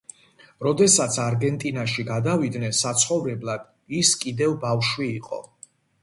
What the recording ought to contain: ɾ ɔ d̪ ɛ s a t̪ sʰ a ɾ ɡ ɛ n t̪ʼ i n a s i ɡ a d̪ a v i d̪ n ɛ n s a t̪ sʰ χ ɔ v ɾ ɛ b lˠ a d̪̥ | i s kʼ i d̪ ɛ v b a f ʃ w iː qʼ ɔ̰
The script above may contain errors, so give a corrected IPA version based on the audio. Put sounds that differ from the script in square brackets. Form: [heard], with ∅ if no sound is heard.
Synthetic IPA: ɾ ɔ d̪ ɛ s a t̪ sʰ a ɾ ɡ ɛ n t̪ʼ i n a [ʃ] i ɡ a d̪ a v i d̪ n ɛ n s a t̪ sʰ χ ɔ v ɾ ɛ b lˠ a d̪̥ | i s kʼ i d̪ ɛ v b a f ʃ w iː qʼ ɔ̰